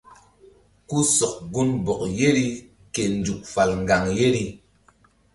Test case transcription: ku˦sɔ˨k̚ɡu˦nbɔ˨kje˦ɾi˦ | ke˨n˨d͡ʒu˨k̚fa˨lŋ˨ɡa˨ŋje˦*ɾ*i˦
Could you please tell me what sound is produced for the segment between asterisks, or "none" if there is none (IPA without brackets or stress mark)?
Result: ɾ